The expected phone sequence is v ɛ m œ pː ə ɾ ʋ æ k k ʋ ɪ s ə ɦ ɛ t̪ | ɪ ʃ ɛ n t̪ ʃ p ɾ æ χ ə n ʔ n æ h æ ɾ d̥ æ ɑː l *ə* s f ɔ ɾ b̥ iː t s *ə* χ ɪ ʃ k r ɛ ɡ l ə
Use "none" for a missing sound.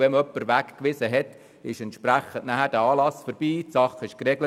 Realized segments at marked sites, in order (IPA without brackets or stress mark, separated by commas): ɑ, ɑ